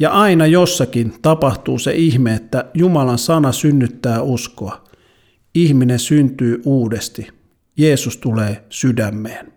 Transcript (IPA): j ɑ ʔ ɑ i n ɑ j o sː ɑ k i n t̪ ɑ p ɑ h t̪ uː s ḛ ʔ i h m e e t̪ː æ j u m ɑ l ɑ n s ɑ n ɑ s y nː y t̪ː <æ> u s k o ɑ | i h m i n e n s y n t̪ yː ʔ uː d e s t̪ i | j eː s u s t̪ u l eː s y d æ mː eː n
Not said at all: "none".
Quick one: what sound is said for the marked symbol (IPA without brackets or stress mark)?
æː